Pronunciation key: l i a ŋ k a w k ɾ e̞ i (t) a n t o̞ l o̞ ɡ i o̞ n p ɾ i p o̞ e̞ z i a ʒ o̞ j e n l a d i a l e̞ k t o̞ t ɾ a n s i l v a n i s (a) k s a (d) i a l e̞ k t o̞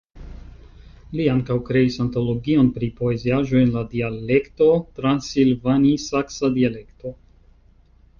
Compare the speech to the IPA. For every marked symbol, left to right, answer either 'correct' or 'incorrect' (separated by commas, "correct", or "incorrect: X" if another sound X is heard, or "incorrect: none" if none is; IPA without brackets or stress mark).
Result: incorrect: s, correct, correct